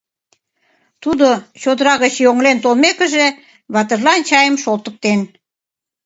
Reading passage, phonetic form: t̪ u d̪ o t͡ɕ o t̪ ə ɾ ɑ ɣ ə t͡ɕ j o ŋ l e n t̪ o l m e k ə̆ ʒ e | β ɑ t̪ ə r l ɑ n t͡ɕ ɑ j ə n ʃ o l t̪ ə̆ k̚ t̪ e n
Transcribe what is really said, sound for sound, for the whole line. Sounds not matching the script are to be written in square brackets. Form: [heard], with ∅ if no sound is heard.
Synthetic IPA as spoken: t̪ u d̪ o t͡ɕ o [d̪] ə ɾ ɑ ɣ ə t͡ɕ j o ŋ l e n t̪ o l m e k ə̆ ʒ e | β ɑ t̪ ə r l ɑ n t͡ɕ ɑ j ə [m] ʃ o l t̪ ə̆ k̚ t̪ e n